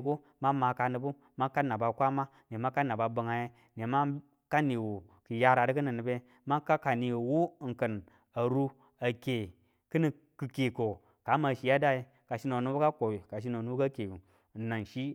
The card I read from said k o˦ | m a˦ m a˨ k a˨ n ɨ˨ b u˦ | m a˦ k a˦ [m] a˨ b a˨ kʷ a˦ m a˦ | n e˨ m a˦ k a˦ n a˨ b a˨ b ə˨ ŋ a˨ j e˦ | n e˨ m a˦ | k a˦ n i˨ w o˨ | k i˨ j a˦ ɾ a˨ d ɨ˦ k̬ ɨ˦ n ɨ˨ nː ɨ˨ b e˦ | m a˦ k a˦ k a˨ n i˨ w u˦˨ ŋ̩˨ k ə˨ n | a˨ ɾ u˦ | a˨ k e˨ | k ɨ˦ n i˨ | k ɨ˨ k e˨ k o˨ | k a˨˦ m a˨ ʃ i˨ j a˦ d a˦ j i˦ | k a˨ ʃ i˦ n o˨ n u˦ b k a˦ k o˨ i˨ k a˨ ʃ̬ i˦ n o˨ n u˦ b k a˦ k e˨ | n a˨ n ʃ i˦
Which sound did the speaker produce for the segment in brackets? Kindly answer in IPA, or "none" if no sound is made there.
n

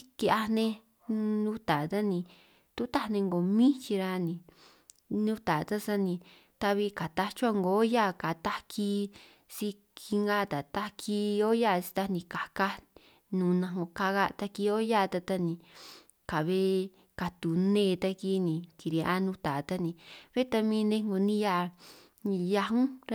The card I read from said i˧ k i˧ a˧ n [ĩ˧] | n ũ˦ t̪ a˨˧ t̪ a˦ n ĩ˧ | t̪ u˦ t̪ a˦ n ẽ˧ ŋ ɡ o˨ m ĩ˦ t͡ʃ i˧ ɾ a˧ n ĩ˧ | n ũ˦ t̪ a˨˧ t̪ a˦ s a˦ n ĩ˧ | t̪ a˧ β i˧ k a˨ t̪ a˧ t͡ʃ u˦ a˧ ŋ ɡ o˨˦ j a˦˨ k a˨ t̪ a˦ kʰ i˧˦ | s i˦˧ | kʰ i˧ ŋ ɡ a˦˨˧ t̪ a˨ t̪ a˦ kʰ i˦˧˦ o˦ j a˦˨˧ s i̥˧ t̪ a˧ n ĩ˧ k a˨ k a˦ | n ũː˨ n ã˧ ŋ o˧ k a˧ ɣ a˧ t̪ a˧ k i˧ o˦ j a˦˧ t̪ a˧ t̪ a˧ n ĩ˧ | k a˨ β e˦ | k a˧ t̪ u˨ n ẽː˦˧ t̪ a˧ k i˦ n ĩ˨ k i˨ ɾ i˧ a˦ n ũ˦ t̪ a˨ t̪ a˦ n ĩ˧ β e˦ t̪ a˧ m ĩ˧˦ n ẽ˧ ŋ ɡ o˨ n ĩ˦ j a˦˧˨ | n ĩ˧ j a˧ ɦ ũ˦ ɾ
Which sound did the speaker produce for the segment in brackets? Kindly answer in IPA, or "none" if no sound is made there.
ẽ˧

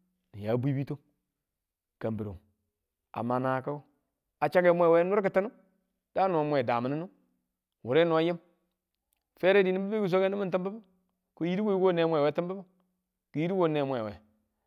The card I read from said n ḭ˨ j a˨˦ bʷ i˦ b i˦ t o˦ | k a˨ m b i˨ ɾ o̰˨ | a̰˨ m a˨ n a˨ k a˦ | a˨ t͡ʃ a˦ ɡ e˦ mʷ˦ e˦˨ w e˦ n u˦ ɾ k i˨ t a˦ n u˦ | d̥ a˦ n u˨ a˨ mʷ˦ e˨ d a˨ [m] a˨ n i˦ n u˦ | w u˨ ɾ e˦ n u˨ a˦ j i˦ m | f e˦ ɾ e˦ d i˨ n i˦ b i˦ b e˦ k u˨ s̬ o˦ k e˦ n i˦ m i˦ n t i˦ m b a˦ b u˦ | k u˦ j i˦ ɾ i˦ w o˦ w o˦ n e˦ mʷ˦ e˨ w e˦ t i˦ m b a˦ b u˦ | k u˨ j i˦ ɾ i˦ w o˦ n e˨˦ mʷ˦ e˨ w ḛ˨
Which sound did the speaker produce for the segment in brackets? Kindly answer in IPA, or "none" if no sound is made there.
m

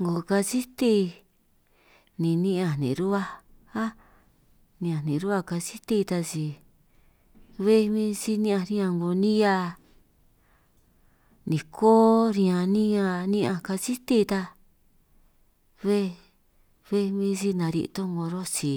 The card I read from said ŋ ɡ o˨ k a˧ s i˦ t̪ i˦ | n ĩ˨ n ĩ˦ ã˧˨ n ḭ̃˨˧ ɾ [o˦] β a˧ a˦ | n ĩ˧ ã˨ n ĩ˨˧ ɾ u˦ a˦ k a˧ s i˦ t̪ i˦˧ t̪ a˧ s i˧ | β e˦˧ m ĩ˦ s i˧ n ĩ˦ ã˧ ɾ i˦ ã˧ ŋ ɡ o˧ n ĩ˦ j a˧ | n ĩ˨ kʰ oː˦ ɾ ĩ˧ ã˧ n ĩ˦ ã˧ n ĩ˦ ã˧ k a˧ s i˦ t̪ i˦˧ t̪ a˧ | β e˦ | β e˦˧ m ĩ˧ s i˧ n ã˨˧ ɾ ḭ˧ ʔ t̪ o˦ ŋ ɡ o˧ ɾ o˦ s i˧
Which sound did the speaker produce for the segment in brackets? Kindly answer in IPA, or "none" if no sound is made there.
u˦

